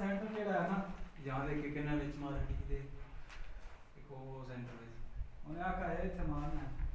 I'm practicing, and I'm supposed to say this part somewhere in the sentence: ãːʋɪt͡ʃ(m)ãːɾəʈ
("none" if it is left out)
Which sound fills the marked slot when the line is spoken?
m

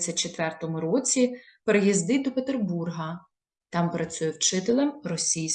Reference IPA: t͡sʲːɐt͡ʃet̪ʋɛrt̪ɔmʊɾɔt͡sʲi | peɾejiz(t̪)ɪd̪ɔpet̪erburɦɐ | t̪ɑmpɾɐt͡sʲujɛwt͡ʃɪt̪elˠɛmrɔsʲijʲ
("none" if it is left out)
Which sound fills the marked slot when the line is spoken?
d̪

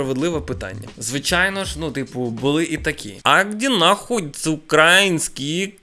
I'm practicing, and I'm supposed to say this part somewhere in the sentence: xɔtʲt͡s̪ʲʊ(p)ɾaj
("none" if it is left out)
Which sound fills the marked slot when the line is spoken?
k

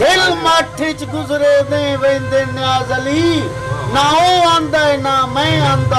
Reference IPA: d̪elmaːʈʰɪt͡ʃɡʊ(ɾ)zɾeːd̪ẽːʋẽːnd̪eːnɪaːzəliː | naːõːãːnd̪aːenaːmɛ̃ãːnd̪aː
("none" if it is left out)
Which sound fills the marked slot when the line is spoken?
none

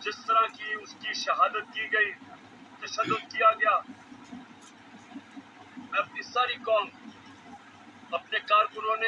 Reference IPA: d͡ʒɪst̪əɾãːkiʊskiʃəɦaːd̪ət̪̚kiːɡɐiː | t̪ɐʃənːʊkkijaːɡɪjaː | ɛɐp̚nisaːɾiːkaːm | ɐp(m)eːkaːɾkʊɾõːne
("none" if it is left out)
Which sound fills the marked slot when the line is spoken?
n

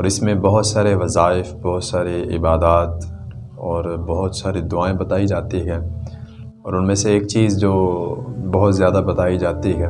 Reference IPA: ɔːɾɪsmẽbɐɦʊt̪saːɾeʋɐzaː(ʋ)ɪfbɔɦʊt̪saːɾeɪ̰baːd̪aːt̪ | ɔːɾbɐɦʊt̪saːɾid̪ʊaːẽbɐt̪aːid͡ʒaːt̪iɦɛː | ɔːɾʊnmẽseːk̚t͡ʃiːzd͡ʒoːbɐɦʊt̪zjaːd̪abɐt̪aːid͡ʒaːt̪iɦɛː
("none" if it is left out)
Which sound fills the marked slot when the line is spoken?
none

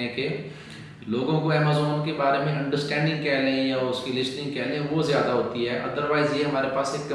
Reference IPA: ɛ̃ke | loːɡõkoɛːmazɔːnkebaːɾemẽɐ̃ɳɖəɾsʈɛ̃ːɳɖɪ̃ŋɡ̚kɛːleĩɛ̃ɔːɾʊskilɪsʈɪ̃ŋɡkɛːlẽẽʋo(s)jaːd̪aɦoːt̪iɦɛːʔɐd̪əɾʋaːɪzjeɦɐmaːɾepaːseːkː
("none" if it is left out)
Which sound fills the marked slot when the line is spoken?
z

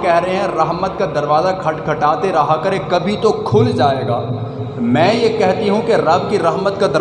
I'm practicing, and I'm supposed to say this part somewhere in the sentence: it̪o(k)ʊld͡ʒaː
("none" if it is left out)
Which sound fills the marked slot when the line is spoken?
kʰ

